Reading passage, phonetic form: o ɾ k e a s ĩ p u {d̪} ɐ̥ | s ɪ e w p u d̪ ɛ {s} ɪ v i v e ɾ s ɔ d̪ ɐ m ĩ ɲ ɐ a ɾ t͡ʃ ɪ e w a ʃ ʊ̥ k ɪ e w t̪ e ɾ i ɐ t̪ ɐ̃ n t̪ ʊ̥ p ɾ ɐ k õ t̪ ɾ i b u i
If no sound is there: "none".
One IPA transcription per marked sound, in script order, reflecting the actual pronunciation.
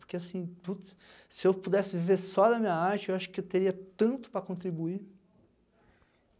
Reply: t̪, s

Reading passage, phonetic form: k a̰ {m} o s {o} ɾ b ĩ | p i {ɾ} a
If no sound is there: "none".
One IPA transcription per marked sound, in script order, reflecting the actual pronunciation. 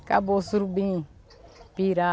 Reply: b, u, ɾ

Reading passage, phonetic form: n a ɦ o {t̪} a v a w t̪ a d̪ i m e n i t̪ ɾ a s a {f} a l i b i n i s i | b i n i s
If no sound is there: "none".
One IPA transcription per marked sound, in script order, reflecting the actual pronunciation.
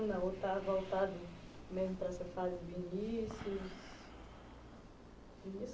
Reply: t̪, f

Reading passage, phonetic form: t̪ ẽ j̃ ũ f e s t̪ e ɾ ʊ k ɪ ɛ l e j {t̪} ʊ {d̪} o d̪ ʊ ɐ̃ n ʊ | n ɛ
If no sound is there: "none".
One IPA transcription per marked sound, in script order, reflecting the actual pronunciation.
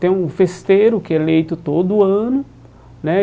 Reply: t̪, t̪

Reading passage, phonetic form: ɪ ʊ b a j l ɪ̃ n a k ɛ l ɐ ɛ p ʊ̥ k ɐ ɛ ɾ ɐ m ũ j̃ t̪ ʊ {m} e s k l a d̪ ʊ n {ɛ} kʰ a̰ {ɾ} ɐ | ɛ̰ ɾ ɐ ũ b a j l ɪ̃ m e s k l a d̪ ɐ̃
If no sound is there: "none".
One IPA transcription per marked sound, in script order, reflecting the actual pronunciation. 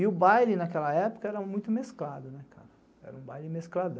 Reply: m, ɛ, ɾ

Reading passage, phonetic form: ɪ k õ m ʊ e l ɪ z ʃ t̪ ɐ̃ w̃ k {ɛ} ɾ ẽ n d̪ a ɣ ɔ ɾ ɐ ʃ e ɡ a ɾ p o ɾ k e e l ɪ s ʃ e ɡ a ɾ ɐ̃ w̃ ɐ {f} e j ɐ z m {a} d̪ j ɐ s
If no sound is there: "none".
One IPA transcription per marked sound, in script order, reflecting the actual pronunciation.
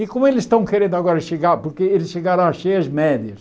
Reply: e, ʃ, ɛ

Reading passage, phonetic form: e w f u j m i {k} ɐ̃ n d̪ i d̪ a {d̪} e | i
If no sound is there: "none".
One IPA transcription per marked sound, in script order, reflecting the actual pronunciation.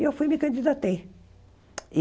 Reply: k, t̪

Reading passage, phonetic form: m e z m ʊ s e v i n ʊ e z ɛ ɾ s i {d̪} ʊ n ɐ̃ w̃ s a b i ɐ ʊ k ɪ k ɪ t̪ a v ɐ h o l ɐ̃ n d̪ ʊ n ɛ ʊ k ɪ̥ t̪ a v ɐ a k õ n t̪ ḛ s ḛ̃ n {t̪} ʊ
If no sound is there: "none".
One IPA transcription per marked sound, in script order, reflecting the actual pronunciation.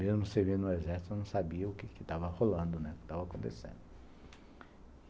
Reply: t̪, d̪

